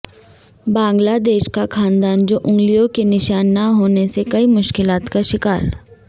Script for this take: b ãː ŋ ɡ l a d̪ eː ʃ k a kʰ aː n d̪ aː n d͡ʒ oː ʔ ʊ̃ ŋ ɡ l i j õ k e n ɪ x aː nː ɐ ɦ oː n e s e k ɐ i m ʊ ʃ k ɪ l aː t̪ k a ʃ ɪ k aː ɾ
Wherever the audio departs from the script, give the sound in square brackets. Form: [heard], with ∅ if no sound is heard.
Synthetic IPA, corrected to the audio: b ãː ŋ ɡ l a d̪ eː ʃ k a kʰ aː n d̪ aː n d͡ʒ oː ʔ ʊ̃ ŋ ɡ l i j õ k e n ɪ [ʃ] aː nː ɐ ɦ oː n e s e k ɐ i m ʊ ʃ k ɪ l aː t̪ k a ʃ ɪ k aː ɾ